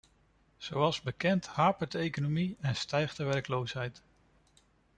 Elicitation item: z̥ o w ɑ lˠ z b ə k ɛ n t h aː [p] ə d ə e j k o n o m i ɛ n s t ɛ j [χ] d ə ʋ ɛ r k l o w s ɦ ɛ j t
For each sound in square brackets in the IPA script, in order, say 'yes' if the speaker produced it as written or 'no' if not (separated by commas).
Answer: yes, yes